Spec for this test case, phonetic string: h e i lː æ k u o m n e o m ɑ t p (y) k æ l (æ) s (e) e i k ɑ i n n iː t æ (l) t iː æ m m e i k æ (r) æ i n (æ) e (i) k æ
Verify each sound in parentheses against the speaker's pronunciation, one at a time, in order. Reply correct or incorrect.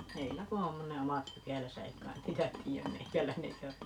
correct, correct, incorrect: æ, incorrect: none, incorrect: l, incorrect: e, correct

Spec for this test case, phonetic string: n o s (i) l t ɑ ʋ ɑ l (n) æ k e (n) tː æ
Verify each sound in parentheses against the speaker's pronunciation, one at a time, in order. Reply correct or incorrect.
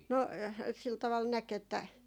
correct, correct, incorrect: none

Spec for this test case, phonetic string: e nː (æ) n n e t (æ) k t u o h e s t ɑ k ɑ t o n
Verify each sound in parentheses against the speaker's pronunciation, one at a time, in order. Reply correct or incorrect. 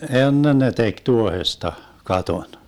incorrect: e, incorrect: e

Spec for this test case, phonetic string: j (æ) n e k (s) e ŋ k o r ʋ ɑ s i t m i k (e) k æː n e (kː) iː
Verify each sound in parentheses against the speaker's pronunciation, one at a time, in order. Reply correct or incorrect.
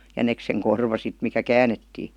correct, correct, incorrect: æ, incorrect: tː

